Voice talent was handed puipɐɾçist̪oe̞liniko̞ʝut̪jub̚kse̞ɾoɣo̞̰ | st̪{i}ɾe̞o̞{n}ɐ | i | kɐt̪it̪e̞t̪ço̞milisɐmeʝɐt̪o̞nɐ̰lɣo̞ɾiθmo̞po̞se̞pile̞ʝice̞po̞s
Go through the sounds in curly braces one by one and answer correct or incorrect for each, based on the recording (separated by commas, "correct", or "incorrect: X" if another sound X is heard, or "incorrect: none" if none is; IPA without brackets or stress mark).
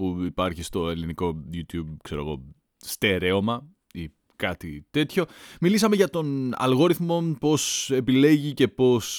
incorrect: e, incorrect: m